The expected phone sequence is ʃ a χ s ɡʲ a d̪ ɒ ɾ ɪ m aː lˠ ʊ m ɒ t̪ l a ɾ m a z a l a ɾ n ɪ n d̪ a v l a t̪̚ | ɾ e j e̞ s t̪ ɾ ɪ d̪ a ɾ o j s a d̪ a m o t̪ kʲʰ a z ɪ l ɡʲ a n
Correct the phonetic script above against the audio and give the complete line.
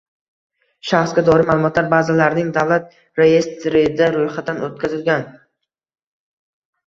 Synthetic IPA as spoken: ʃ a χ s ɡʲ a d̪ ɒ ɾ ɪ m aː lˠ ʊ m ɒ t̪ l a ɾ b a z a l a ɾ n ɪ ŋ d̪ a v l a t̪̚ | ɾ e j e̞ s t̪ ɾ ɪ d̪ a ɾ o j χ a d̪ a n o t̪ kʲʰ a z ɪ l ɡʲ a n